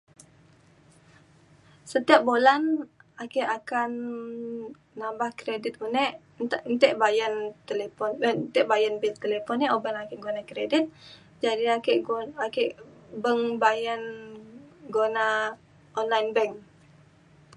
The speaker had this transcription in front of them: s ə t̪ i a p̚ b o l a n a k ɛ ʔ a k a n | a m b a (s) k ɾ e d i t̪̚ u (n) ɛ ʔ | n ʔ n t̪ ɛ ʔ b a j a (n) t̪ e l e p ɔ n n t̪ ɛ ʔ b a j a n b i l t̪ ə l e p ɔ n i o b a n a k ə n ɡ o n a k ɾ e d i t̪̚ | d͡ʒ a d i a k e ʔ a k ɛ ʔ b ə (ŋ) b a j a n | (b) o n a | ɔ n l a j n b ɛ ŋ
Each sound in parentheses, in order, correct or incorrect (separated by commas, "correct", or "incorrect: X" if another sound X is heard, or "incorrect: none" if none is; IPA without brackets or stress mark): incorrect: h, correct, correct, correct, incorrect: ɡ